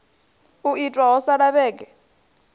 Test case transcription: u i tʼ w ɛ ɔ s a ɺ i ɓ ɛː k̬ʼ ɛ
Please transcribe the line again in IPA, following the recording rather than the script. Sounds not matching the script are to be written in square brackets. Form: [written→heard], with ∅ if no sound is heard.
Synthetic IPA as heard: u i tʼ w [ɛ→a] ɔ s a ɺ [i→a] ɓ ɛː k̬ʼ ɛ

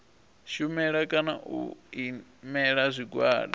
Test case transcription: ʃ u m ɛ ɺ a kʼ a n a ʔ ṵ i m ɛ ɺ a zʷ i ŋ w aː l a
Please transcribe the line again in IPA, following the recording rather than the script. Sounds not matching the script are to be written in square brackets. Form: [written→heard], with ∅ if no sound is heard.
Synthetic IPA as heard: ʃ u m ɛ ɺ a kʼ a n a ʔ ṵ i m ɛ ɺ a zʷ i [ŋ→ɡ] w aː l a

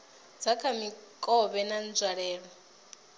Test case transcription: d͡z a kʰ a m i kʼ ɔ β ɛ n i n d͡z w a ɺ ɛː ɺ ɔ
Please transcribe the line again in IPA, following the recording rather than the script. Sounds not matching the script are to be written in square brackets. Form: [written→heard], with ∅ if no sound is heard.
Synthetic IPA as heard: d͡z a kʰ a m i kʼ ɔ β ɛ n [i→a] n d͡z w a ɺ ɛː ɺ ɔ

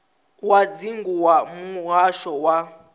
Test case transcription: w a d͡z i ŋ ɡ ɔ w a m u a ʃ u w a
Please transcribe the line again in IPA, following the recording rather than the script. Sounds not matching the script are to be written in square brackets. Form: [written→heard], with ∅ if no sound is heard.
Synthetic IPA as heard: w a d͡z i ŋ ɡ [ɔ→u] w a m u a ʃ [u→ɔ] w a

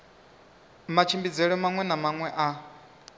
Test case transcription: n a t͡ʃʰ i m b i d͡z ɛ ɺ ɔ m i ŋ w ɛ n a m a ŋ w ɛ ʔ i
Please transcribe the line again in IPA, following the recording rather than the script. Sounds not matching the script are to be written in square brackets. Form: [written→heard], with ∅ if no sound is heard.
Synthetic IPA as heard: [n→m] a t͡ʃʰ i m b i d͡z ɛ ɺ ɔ m [i→a] ŋ w ɛ n a m a ŋ w ɛ ʔ [i→a]

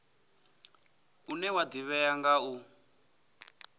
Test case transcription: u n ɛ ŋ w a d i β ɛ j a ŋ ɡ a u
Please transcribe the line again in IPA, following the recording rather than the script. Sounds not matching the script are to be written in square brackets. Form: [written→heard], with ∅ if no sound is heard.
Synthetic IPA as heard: u n ɛ [ŋ→∅] w a d i β ɛ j a ŋ ɡ a u

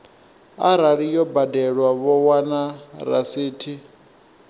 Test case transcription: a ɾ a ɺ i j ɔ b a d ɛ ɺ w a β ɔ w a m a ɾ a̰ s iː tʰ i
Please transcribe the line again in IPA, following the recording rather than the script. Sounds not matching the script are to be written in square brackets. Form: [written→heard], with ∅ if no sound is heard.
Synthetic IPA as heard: a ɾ a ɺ i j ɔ b a d ɛ ɺ w a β ɔ w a [m→n] a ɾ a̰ s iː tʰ i

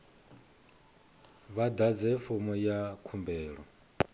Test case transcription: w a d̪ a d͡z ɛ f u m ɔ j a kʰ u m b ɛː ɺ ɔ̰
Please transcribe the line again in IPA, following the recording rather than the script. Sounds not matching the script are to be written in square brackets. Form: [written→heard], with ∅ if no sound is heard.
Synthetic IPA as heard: [w→β] a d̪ a d͡z ɛ f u m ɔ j a kʰ u m b ɛː ɺ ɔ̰

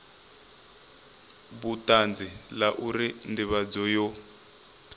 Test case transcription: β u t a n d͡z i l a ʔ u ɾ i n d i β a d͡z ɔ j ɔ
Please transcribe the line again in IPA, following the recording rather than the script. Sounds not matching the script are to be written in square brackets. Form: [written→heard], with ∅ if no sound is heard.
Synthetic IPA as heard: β u t a n d͡z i l a ʔ u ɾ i n d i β a d͡z ɔ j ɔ

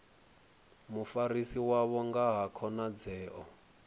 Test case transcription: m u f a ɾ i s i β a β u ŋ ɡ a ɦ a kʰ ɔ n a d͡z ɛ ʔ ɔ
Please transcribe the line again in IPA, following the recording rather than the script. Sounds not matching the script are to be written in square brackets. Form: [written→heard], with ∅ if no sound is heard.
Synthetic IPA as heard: m u f a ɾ i s i [β→w] a β [u→ɔ] ŋ ɡ a ɦ a kʰ ɔ n a d͡z [ɛ→ɛː] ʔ ɔ

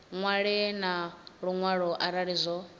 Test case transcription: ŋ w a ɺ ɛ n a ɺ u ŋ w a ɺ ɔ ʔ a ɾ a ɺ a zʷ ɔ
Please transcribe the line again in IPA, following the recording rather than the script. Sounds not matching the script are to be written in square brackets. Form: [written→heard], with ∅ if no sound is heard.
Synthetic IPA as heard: ŋ w a ɺ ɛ n a ɺ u ŋ w a ɺ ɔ ʔ a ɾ a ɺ [a→i] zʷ ɔ

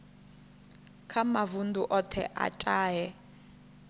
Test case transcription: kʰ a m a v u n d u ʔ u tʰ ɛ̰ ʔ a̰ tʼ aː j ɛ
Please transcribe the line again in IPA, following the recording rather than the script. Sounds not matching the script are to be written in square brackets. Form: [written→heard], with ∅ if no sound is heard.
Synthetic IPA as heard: kʰ a m a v u n d u ʔ [u→ɔ] tʰ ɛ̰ ʔ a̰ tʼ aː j ɛ

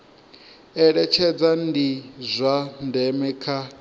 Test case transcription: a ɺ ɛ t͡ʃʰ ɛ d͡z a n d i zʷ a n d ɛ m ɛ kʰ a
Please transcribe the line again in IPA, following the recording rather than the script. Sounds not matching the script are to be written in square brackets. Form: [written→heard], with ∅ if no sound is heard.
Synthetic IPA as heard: [a→ɛ] ɺ ɛ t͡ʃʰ ɛ d͡z a n d i zʷ a n d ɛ m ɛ kʰ a

